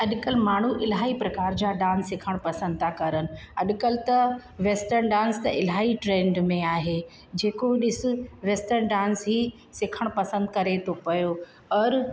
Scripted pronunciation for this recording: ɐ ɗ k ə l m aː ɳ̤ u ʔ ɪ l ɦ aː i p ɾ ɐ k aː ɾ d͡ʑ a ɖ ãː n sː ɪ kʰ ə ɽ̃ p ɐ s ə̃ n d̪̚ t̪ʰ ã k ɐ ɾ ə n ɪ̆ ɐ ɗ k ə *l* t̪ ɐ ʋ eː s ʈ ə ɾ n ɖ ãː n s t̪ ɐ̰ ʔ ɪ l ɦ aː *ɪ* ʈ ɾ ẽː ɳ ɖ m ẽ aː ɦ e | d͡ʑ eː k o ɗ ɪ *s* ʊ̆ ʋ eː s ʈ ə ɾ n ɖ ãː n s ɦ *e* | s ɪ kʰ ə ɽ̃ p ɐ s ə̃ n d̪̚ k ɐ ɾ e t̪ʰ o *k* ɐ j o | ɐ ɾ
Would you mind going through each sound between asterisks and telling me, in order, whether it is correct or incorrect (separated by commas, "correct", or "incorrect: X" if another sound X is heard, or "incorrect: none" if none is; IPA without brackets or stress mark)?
correct, incorrect: i, correct, incorrect: i, incorrect: p